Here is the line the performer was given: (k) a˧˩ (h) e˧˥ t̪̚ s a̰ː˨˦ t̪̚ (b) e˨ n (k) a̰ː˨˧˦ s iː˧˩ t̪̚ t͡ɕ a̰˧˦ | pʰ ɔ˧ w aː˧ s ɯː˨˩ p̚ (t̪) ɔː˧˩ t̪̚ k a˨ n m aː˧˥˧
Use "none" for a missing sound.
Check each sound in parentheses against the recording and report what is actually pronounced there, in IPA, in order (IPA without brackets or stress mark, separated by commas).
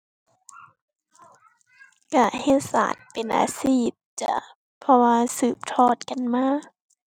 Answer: k, h, p, ʔ, t̪ʰ